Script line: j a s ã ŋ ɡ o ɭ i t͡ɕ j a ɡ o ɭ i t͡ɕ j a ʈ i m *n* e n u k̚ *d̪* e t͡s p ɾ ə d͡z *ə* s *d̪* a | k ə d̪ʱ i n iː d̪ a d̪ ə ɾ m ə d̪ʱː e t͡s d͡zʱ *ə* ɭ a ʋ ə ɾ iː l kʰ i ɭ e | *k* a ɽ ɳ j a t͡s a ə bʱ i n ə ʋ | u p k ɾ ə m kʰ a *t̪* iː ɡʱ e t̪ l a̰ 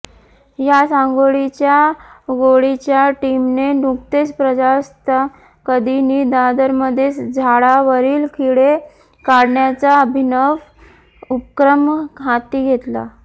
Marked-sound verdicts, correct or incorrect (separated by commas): correct, incorrect, incorrect, incorrect, incorrect, correct, correct